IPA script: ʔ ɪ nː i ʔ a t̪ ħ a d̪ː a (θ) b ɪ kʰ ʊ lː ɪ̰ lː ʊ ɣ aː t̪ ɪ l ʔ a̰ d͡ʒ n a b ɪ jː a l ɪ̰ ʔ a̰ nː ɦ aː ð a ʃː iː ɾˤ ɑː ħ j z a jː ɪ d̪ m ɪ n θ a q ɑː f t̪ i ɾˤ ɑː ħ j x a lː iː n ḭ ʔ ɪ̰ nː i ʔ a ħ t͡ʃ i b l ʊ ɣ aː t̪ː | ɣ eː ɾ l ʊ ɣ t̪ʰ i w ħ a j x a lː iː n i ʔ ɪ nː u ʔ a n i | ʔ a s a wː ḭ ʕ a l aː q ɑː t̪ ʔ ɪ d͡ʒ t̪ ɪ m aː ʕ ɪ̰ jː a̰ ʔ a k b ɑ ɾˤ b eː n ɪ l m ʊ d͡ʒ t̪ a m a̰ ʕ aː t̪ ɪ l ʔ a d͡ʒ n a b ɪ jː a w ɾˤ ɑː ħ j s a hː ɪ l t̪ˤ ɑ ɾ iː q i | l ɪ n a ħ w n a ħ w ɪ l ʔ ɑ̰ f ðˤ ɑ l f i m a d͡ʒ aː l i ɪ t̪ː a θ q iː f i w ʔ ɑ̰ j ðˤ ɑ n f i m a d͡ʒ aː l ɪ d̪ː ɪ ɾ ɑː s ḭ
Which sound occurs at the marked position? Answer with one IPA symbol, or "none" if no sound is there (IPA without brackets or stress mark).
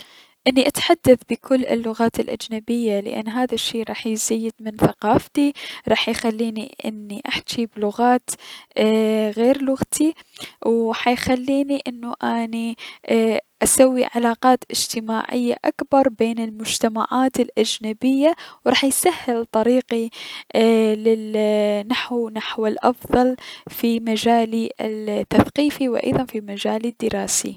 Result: θ